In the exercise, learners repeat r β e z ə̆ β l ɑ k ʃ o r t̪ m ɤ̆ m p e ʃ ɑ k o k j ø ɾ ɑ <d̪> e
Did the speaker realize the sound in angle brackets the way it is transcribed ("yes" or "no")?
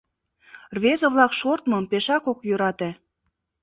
no